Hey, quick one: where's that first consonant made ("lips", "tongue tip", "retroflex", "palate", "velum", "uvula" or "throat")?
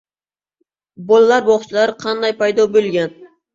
lips